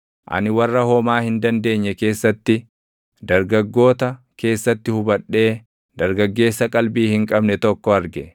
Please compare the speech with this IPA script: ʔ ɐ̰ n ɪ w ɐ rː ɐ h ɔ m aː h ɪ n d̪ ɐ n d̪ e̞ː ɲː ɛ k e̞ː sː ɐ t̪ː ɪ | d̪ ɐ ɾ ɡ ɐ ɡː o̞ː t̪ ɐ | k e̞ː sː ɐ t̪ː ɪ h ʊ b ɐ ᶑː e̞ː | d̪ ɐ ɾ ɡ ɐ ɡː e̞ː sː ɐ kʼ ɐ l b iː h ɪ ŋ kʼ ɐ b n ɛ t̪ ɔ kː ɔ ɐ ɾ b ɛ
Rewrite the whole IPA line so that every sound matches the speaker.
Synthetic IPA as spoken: ʔ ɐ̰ n ɪ w ɐ rː ɐ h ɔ m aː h ɪ n d̪ ɐ n d̪ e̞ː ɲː ɛ k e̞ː sː ɐ t̪ː ɪ | d̪ ɐ ɾ ɡ ɐ ɡː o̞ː t̪ ɐ | k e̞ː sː ɐ t̪ː ɪ h ʊ b ɐ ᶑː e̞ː | d̪ ɐ ɾ ɡ ɐ ɡː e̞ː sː ɐ kʼ ɐ l b iː h ɪ ŋ kʼ ɐ b n ɛ t̪ ɔ kː ɔ ɐ ɾ ɡ ɛ